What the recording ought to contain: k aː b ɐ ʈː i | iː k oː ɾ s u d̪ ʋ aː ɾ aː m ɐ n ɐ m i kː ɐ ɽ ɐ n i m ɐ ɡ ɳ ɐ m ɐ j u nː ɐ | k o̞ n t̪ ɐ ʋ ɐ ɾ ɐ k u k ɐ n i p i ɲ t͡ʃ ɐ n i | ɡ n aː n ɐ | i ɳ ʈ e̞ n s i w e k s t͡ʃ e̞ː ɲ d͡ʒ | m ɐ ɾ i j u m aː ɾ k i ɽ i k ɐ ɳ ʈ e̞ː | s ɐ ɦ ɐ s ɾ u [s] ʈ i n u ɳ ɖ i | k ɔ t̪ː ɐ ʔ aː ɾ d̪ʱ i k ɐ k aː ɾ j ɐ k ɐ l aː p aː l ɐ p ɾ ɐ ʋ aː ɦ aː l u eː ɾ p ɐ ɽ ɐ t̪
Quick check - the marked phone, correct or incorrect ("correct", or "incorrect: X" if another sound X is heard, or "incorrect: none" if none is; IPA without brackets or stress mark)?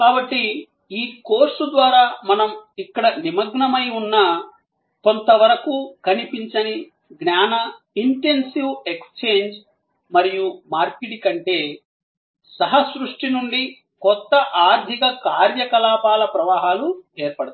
incorrect: ʂ